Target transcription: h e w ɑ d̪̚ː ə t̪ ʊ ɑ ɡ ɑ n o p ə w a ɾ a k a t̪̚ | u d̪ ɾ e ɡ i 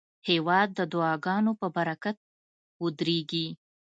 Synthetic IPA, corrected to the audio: h e w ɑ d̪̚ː ə d̪ ʊ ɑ ɡ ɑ n o p ə b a ɾ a k a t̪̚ | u d̪ ɾ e ɡ i